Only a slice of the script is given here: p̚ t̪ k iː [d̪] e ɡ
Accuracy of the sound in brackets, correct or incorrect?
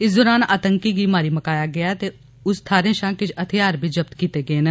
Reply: incorrect